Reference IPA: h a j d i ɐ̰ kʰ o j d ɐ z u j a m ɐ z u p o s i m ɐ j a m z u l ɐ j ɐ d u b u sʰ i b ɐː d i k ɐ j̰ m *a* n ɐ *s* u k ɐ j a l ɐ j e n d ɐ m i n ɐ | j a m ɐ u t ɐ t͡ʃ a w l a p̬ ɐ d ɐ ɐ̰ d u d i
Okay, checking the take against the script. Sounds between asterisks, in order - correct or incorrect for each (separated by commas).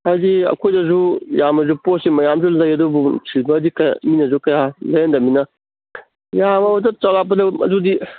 incorrect, incorrect